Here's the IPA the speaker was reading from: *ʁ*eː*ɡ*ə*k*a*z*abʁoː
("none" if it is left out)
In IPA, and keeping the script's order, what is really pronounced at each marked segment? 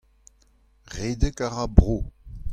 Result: ʁ, d, k, ʁ

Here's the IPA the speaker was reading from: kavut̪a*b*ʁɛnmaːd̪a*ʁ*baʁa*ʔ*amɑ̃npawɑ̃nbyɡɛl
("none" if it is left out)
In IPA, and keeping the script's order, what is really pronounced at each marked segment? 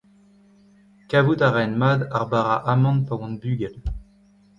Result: none, ʁ, ʔ

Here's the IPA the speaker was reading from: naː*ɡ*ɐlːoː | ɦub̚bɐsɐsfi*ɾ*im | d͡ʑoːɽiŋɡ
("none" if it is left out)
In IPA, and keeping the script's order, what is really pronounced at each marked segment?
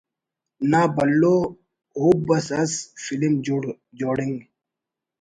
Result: b, l

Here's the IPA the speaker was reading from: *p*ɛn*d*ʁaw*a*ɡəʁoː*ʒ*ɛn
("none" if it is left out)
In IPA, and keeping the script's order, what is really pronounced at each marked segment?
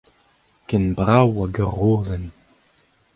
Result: k, b, a, z

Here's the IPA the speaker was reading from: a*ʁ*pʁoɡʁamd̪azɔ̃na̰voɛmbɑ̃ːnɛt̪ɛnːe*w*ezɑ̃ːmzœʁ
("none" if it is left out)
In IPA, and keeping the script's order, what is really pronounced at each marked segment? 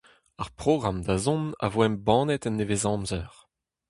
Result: ʁ, v

